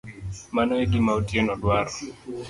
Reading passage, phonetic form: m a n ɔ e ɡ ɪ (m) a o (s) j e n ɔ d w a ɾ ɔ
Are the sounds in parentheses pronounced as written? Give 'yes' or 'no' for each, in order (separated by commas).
yes, no